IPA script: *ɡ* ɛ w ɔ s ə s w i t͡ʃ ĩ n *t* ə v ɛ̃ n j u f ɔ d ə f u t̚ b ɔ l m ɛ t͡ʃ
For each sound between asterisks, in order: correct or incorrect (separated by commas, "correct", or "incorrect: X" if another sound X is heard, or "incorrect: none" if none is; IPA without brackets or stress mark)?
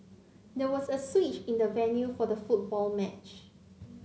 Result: incorrect: d, incorrect: d